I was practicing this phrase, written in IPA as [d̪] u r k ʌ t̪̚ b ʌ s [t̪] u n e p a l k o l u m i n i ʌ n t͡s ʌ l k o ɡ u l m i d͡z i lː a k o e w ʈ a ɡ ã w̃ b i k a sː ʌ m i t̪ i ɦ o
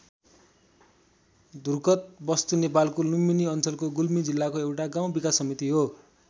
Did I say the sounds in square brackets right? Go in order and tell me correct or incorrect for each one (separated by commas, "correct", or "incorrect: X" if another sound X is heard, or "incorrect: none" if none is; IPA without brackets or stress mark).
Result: correct, correct